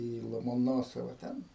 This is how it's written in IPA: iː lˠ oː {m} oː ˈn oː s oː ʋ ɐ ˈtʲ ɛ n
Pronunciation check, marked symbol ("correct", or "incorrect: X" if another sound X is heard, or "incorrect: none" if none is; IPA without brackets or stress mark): correct